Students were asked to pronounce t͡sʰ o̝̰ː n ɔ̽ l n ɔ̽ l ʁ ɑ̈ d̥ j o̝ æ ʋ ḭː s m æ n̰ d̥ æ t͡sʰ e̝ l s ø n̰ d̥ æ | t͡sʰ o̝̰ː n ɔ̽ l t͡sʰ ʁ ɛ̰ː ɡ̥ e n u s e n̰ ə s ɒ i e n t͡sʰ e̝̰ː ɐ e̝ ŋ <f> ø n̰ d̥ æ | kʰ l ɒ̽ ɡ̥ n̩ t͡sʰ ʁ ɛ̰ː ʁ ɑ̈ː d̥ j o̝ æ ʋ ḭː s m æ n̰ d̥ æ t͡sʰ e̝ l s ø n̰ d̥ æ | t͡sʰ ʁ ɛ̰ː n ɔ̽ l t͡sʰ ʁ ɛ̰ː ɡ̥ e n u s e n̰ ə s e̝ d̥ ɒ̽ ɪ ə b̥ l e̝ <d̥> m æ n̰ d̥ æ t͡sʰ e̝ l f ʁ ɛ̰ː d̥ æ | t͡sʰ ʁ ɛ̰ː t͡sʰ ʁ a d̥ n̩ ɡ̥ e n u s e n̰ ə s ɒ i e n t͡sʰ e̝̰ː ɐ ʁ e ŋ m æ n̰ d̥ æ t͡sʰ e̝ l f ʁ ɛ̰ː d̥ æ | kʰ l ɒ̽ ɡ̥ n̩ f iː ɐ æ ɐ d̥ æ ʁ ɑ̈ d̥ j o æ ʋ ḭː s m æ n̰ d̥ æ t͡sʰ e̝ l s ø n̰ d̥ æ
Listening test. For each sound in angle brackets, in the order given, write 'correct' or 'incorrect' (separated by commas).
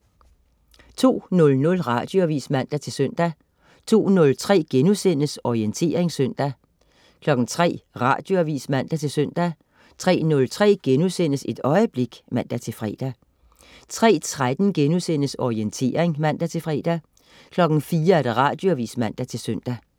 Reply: incorrect, incorrect